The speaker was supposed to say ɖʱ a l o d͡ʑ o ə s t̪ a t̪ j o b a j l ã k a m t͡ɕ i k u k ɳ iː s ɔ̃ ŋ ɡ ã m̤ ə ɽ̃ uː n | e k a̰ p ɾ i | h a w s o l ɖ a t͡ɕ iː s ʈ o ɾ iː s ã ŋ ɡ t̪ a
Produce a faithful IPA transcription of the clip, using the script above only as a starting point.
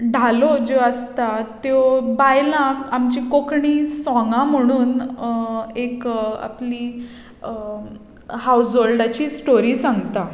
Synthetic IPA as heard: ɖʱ a l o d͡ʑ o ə s t̪ a t̪ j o b a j l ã k a m t͡ɕ i k o k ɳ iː s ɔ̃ ŋ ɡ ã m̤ ə ɽ̃ uː n | e k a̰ p l i | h a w s o l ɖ a t͡ɕ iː s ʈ o ɾ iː s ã ŋ ɡ t̪ a